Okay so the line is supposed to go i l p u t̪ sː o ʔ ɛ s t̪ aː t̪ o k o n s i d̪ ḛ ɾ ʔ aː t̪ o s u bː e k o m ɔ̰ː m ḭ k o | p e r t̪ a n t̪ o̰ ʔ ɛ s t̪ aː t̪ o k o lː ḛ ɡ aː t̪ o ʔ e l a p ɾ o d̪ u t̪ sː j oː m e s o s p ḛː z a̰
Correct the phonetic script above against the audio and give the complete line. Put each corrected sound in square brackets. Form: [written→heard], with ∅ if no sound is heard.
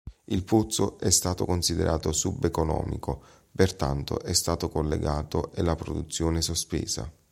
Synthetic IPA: i l p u t̪ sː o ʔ ɛ s t̪ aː t̪ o k o n s i d̪ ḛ ɾ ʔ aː t̪ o s u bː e k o [m→n] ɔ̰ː m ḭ k o | p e r t̪ a n t̪ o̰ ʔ ɛ s t̪ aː t̪ o k o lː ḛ ɡ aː t̪ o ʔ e l a p ɾ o d̪ u t̪ sː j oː [m→n] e s o s p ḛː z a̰